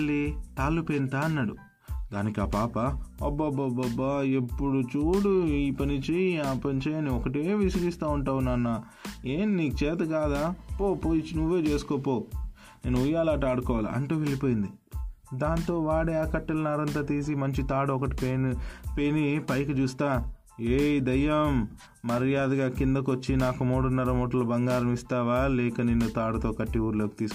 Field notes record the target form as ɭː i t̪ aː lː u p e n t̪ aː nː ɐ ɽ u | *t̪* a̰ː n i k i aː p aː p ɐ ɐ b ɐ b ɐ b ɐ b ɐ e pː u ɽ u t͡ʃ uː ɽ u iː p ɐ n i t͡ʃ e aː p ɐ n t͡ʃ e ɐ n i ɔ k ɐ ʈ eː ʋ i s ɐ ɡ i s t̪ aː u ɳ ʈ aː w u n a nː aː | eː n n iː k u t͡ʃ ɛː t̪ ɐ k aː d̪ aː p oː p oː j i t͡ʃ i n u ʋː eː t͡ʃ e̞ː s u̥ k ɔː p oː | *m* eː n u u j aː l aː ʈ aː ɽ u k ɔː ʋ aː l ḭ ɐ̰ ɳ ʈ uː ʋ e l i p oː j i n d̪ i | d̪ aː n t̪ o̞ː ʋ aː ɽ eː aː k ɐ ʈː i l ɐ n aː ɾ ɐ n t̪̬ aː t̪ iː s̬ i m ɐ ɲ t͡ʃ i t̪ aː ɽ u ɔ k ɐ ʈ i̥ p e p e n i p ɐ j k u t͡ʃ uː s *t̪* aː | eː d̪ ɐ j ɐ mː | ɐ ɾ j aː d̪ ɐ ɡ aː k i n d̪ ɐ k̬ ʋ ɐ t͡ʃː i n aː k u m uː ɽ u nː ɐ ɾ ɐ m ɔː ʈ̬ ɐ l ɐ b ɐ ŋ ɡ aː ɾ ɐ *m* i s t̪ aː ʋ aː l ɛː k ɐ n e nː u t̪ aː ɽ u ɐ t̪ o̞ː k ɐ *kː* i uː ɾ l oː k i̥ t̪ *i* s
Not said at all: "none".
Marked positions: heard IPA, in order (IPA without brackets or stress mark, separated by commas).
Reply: d̪, n, t̪, m, ʈː, iː